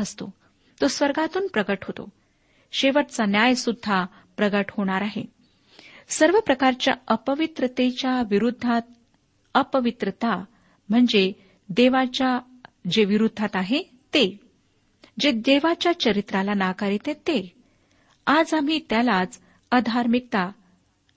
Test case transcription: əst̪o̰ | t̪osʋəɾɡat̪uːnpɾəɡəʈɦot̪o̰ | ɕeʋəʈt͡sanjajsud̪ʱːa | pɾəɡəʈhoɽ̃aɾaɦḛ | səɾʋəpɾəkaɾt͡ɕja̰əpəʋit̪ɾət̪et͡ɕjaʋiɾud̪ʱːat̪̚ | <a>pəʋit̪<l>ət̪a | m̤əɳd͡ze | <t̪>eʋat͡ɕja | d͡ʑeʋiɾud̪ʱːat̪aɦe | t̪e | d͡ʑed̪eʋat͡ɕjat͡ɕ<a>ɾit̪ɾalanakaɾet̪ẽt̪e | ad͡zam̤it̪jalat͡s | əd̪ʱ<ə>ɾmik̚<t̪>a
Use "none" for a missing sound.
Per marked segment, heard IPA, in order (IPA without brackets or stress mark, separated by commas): ə, ɾ, d̪, ə, a, t̪